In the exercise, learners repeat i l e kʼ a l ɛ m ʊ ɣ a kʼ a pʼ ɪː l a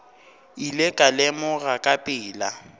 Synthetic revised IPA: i l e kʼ a l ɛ m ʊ ɣ a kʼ a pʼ ɪː l a